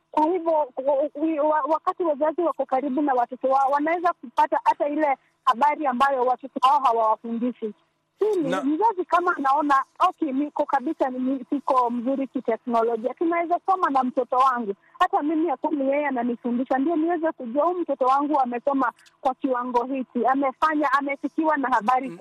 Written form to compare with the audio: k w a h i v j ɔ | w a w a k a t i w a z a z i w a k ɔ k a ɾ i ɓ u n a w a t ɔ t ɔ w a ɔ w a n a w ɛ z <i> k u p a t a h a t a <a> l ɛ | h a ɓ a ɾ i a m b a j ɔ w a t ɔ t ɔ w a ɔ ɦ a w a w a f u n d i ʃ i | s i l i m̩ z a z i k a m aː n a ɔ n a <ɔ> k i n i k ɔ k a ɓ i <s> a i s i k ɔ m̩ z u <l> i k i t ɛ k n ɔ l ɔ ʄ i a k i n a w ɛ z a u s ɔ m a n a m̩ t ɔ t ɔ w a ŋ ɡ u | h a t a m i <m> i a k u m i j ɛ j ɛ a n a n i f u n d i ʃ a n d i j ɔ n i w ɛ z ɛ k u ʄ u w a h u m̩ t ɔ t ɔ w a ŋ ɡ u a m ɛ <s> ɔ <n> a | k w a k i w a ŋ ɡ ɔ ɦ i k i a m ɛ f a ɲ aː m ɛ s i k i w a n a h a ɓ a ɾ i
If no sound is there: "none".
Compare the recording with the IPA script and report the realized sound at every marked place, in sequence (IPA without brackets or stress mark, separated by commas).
a, i, ɔ, s, ɾ, m, s, m